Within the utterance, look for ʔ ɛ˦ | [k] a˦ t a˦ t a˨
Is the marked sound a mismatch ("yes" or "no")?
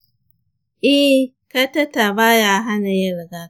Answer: no